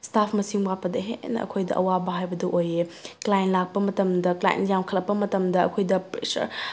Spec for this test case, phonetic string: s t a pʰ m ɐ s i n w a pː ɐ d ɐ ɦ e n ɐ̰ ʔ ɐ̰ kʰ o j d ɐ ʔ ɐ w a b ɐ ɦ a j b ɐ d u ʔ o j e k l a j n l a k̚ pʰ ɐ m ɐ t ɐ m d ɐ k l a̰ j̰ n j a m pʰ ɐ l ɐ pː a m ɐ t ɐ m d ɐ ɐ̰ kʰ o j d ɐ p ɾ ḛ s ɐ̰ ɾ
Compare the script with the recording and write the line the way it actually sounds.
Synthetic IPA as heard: s t a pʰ m ɐ s i ŋ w a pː ɐ d ɐ ɦ e n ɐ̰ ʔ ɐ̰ kʰ o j d ɐ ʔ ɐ w a b ɐ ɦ a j b ɐ d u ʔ o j e k l a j n l a k̚ p ɐ m ɐ t ɐ m d ɐ k l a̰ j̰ n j a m kʰ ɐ l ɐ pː ɐ m ɐ t ɐ m d ɐ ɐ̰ kʰ o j d ɐ p ɾ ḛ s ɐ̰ ɾ